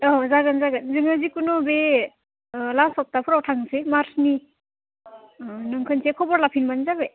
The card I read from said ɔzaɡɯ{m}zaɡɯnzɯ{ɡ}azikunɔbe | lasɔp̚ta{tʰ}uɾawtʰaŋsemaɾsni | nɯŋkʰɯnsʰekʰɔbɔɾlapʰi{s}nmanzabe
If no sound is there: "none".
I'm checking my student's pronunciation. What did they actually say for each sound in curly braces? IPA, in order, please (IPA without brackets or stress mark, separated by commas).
n, ŋ, pʰ, none